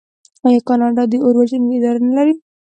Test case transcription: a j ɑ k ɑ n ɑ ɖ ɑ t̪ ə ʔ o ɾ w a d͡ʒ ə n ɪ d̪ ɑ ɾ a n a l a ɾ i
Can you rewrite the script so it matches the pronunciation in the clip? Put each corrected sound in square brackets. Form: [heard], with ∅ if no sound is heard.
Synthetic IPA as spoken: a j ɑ k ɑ n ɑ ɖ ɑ [d̪] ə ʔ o ɾ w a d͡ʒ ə n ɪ d̪ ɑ ɾ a n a l a ɾ i